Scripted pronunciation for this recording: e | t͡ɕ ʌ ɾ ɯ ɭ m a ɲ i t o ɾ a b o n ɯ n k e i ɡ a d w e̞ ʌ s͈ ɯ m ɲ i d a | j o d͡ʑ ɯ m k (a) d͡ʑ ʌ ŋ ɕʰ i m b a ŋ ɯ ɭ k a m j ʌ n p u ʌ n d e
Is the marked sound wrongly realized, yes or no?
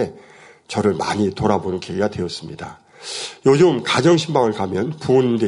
no